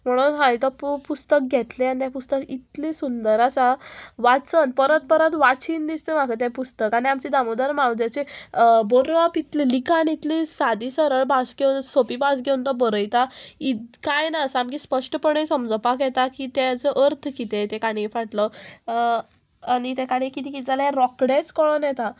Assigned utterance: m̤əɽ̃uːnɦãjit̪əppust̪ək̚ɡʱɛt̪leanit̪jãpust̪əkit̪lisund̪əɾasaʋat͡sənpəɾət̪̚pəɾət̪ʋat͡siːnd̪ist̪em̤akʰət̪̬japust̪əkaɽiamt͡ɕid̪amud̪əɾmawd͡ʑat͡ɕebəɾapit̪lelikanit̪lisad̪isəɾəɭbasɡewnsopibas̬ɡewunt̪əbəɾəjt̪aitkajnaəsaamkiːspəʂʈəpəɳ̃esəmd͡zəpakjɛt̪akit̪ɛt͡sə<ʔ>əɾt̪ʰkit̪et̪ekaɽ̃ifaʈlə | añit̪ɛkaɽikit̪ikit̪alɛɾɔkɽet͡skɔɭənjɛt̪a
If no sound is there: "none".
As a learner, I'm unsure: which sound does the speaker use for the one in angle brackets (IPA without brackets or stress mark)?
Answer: ʔ